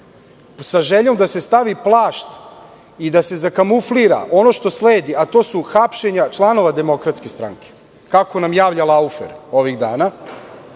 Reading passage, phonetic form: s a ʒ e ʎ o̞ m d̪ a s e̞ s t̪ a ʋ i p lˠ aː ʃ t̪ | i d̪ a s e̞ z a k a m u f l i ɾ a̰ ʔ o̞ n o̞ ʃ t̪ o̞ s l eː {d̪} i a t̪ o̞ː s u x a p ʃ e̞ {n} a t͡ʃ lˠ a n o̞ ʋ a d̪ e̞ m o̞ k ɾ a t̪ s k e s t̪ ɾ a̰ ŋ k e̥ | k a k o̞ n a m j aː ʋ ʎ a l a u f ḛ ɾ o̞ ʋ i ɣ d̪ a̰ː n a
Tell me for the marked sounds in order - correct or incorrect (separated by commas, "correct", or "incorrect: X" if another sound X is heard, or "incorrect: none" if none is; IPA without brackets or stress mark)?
correct, incorrect: ɲ